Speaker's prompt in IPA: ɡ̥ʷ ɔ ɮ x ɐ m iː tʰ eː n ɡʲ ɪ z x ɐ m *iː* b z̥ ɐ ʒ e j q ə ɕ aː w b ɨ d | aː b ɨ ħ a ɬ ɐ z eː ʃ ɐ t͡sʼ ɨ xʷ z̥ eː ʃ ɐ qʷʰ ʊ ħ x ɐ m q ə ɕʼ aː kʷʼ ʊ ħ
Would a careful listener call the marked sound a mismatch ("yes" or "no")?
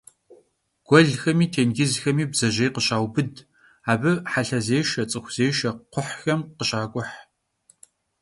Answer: no